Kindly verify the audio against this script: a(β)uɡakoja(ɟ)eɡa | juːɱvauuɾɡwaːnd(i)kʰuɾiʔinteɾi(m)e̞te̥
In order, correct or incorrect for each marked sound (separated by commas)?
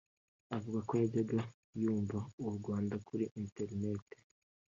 incorrect, correct, incorrect, incorrect